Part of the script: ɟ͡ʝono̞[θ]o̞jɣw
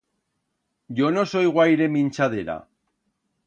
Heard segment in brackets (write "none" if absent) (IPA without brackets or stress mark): s